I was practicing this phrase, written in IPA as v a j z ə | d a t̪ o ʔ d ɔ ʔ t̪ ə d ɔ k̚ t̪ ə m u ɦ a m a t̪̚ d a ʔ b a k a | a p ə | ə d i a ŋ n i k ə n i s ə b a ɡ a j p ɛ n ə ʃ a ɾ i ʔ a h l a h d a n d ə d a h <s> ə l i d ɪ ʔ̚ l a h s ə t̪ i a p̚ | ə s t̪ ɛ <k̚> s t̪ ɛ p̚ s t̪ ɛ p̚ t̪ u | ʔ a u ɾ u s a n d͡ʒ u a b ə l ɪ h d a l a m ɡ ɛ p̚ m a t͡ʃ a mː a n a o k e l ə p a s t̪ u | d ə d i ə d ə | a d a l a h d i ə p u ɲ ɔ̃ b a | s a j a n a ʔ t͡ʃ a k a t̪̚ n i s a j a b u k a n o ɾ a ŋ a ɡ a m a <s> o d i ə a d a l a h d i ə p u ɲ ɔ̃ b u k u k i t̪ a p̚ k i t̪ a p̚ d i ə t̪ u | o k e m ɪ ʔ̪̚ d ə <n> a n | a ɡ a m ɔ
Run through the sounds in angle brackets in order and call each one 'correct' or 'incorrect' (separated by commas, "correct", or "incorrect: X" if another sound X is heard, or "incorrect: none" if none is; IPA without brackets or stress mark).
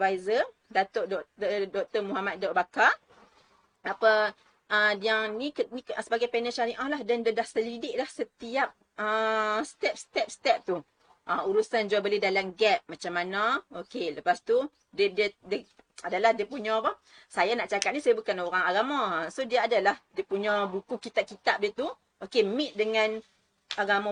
correct, incorrect: p̚, correct, incorrect: ŋ